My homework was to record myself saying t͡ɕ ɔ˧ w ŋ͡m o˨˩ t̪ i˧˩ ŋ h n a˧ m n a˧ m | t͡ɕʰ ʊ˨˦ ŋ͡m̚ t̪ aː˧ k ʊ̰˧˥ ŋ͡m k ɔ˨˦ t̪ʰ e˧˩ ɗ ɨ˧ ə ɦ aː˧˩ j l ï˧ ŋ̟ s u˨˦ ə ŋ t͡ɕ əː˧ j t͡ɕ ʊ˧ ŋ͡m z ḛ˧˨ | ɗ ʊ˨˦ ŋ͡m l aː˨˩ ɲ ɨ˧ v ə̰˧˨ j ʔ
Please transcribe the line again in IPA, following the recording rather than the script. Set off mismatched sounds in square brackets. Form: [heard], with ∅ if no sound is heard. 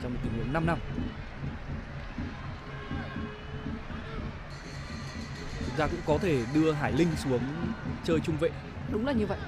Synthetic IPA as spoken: t͡ɕ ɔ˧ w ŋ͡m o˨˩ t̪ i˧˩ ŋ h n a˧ m n a˧ m | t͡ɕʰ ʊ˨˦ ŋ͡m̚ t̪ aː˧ k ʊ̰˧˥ ŋ͡m k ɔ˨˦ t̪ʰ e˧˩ ɗ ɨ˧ ə ɦ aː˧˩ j l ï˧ ŋ̟ s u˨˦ ə ŋ t͡ɕ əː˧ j t͡ɕ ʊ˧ ŋ͡m [v] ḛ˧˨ | ɗ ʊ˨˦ ŋ͡m l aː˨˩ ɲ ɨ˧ v ə̰˧˨ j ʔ